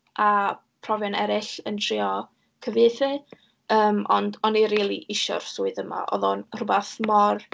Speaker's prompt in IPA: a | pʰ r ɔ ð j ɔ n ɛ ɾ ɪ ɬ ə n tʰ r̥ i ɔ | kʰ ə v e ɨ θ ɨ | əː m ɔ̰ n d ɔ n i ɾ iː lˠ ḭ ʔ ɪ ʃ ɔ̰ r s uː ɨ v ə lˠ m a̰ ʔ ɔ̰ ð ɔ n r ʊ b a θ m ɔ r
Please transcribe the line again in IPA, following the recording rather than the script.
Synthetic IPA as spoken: a | pʰ r ɔ v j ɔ n ɛ ɾ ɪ ɬ ə n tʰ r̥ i ɔ | kʰ ə v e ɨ θ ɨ | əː m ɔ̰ n d ɔ n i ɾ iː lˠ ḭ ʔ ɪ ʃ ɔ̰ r s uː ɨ ð ə m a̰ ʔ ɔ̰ ð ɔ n r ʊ b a θ m ɔ r